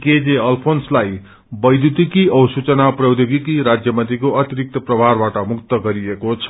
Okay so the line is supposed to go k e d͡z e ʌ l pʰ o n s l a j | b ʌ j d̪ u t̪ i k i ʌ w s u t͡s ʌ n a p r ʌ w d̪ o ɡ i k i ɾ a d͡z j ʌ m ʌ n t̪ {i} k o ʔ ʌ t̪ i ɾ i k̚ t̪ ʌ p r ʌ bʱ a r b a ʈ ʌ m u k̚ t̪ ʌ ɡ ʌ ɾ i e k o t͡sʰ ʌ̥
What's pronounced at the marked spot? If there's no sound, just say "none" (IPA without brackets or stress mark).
i